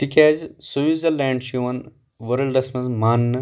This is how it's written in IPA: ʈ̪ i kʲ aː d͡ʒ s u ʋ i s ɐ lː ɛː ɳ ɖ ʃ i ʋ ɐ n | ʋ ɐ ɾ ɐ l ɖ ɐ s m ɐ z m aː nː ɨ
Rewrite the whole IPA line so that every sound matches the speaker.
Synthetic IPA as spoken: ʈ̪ i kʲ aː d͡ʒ s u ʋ i z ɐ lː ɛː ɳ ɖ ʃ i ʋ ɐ n | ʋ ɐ ɾ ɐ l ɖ ɐ s m ɐ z m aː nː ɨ